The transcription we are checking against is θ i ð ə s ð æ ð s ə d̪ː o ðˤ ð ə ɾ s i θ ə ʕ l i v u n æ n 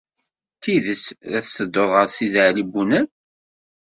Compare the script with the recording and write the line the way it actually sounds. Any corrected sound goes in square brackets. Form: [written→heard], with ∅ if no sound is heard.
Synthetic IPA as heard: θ i ð ə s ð æ [ð→θ] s ə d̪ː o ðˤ [ð→ʁ] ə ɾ s i [θ→ð] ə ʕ l i [v→b] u n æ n

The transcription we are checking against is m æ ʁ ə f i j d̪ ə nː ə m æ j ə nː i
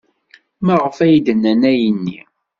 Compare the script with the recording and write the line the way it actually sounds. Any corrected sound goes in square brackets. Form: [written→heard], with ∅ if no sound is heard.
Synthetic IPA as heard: m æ ʁ ə f [i→æ] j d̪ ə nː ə [m→n] æ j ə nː i

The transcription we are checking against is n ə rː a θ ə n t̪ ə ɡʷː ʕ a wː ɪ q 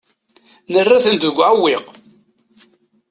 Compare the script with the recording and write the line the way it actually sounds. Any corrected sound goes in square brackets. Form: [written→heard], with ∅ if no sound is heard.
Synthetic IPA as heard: n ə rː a θ ə n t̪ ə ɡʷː ʕ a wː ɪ q

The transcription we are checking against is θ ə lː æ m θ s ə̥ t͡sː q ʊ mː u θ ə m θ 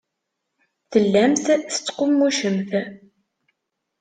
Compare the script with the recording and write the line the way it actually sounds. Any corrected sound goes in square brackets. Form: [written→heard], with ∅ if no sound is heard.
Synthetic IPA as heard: θ ə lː æ m θ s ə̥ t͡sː q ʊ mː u [θ→ʃ] ə m θ

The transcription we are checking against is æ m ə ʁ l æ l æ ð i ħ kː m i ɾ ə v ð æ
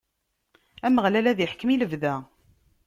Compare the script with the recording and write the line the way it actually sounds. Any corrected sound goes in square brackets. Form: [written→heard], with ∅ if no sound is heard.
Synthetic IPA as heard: æ m ə ʁ l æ l æ ð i ħ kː m i [ɾ→l] ə v ð æ

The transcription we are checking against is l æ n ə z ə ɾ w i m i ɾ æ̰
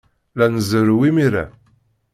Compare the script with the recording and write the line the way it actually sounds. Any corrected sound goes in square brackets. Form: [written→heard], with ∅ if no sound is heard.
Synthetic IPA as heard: l æ n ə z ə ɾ w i m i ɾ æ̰

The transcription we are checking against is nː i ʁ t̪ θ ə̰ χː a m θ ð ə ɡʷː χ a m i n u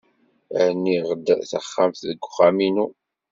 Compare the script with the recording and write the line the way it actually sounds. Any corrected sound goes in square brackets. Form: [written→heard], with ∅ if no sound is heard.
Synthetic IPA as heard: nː i ʁ [t̪→d̪] θ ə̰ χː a m θ ð ə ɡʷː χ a m i n u

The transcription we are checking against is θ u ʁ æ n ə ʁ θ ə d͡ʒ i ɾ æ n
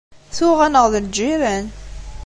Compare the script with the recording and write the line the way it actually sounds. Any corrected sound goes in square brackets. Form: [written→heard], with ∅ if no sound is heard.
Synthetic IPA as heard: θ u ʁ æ n ə ʁ [θ→ð] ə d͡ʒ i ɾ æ n

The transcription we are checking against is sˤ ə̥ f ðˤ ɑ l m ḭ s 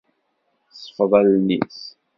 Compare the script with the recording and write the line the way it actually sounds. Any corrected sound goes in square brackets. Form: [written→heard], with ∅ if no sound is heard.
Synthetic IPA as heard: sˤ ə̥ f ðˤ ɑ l [m→n] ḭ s

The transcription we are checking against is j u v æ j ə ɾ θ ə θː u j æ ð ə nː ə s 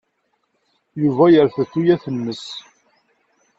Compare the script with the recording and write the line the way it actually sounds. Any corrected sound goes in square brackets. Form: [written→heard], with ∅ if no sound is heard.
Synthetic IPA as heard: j u v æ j ə ɾ θ ə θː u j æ [ð→θ] ə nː ə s

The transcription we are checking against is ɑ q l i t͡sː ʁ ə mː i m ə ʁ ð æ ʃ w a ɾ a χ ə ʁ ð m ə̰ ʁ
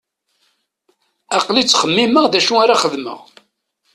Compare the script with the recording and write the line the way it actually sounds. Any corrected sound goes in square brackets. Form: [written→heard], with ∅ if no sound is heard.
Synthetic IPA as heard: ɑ q l i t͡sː [ʁ→χ] ə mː i m ə ʁ ð æ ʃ [w→u] a ɾ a χ ə [ʁ→∅] ð m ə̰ ʁ

